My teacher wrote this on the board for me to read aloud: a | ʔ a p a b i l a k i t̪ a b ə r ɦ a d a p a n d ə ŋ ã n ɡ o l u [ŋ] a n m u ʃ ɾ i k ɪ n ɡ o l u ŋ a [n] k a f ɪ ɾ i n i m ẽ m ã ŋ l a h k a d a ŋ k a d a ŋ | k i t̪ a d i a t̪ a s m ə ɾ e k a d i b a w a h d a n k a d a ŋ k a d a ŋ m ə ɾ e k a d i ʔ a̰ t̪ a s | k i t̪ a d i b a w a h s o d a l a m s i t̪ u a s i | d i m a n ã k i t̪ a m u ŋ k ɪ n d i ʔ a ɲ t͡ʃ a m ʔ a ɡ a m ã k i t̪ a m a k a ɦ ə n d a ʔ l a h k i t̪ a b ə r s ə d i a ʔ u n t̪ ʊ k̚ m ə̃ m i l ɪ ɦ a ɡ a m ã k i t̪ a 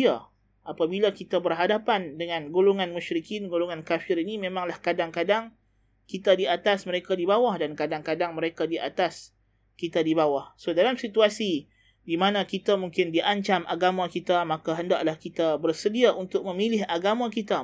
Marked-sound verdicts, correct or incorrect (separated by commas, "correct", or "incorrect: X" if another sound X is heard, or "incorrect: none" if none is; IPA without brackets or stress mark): correct, correct